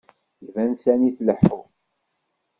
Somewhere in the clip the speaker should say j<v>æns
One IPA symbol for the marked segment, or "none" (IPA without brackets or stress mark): v